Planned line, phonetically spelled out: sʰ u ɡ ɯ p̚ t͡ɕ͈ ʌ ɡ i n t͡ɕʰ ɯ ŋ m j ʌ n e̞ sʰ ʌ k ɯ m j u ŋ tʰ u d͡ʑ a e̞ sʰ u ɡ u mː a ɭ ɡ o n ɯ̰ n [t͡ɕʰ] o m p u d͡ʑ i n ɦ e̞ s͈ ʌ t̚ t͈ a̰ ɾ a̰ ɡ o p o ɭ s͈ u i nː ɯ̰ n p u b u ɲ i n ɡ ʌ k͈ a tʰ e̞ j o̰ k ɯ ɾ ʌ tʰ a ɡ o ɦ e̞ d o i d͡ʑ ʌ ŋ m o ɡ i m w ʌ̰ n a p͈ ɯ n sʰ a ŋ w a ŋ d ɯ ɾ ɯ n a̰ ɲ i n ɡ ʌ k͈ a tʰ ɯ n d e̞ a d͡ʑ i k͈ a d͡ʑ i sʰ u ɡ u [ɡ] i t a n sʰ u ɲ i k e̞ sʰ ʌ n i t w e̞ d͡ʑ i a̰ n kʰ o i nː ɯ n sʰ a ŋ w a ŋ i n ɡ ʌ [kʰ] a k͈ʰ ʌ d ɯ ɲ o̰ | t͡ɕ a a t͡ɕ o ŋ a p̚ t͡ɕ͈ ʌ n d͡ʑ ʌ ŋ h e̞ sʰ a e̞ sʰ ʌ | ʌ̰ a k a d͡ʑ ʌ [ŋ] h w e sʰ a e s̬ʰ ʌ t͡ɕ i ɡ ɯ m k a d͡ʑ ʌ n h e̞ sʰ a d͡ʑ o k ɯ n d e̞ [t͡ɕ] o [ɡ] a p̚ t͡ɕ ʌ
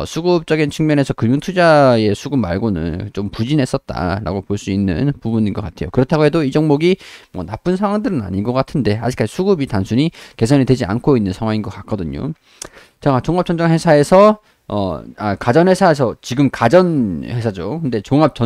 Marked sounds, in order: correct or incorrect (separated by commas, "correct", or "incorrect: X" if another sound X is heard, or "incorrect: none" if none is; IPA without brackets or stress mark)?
incorrect: t͡ɕ, incorrect: b, incorrect: k, incorrect: n, correct, incorrect: ŋ